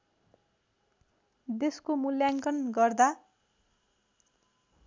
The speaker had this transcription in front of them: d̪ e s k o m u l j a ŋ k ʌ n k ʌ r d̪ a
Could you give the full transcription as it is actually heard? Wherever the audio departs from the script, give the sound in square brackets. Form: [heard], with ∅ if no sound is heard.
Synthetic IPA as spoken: d̪ e s k o m u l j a ŋ k ʌ n [ɡ] ʌ r d̪ a